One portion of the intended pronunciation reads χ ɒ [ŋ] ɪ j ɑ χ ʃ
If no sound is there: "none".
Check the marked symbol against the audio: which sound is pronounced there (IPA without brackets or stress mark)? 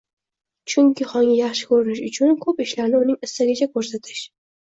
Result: ŋ